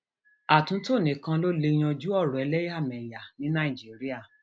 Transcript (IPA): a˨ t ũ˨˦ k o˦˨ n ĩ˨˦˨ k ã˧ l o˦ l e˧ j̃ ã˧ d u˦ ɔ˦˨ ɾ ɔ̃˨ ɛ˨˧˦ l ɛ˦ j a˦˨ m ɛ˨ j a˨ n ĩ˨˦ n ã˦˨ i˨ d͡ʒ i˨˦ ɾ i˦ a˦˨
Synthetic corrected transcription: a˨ t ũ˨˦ t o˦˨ n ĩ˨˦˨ k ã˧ l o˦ l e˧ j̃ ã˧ d͡ʒ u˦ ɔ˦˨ ɾ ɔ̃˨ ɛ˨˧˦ l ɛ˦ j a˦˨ m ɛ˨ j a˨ n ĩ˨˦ n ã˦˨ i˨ d͡ʒ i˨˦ ɾ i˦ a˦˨

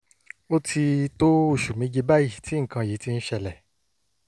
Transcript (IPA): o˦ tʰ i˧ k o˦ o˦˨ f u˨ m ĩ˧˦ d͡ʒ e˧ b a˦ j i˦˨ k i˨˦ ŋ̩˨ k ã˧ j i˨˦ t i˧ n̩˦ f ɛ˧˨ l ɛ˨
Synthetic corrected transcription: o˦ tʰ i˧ t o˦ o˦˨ ʃ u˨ m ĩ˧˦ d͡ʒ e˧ b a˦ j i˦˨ t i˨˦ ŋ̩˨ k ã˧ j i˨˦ t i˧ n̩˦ ʃ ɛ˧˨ l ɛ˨

